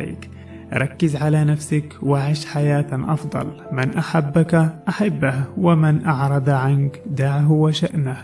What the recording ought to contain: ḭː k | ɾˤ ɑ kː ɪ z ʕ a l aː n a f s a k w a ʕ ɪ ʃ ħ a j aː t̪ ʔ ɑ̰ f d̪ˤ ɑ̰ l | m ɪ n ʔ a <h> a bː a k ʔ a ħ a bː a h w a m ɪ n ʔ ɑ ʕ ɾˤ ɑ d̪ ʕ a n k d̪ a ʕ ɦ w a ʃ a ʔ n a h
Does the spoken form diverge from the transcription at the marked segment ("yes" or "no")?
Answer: yes